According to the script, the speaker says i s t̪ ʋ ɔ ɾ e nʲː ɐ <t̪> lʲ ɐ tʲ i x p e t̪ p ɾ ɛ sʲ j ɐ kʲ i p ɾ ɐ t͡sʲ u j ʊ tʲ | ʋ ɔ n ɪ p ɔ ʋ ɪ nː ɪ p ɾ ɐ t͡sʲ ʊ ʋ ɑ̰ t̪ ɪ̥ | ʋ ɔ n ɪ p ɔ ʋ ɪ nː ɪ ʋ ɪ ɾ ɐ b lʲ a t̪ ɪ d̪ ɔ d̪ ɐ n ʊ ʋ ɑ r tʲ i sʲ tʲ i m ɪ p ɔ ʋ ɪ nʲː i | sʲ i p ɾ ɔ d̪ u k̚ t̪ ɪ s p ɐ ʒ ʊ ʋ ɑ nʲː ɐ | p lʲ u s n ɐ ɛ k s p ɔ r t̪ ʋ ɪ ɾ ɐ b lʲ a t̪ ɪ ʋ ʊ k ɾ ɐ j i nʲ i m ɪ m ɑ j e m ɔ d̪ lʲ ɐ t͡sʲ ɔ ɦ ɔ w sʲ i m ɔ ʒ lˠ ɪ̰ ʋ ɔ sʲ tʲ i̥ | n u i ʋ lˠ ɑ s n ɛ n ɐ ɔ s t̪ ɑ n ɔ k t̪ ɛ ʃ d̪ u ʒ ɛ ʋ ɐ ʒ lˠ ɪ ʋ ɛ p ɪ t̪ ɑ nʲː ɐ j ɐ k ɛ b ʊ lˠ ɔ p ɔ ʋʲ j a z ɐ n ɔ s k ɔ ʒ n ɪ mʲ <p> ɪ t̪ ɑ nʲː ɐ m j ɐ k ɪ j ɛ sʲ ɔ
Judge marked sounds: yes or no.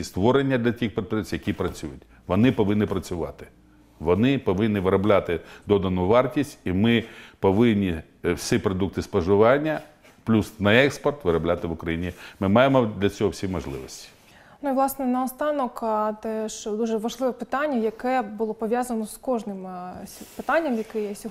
no, yes

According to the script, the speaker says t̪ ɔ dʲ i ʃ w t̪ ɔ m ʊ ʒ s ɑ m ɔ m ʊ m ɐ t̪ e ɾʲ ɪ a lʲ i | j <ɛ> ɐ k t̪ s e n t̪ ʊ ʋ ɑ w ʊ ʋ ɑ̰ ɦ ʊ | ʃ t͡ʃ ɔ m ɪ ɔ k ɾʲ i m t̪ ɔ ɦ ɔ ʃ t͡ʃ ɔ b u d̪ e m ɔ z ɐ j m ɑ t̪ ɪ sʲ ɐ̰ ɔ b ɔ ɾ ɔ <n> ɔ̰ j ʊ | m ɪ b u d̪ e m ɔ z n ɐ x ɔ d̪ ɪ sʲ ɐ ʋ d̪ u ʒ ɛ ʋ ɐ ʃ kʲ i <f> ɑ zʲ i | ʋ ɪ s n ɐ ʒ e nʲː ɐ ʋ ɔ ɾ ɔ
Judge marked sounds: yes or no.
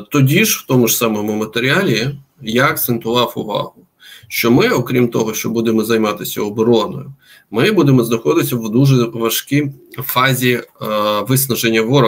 no, yes, yes

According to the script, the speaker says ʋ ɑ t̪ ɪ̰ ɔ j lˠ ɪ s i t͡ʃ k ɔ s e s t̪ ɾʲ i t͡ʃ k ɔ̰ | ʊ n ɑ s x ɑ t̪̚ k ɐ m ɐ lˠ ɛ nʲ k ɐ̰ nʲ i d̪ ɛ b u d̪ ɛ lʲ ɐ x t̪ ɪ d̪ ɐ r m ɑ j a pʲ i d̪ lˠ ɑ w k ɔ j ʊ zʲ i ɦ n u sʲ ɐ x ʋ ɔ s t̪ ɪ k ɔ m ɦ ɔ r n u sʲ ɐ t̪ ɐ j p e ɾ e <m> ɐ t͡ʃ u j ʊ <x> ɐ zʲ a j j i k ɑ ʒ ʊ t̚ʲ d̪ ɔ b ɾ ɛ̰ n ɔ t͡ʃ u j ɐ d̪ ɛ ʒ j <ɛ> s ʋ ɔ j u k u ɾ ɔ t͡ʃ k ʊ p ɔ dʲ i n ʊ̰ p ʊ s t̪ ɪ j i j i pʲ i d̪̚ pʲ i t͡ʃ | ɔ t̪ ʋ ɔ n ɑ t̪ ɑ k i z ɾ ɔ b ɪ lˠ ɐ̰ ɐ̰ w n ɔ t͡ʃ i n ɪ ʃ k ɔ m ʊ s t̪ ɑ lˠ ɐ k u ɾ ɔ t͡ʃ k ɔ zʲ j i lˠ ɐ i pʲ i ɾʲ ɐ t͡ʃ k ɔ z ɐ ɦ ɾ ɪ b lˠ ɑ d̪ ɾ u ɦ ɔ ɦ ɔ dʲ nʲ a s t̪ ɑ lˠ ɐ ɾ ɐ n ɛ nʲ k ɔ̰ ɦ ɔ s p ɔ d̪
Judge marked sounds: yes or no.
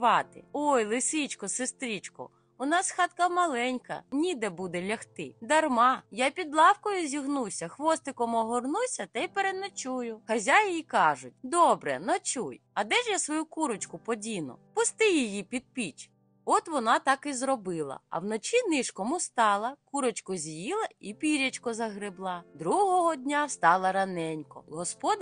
no, yes, no

